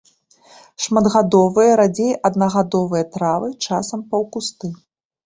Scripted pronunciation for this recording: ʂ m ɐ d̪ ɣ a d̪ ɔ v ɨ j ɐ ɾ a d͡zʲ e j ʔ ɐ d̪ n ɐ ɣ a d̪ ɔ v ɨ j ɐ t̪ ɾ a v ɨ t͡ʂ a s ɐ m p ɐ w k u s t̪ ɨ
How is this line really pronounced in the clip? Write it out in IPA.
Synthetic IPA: ʂ m ɐ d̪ ɣ a d̪ ɔ v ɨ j ɐ ɾ a d͡zʲ e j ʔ ɐ d̪ n ɐ ɣ a d̪ ɔ v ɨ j ɐ t̪ ɾ a v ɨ t͡ʂ a s ɐ m p ɐ w k u s t̪ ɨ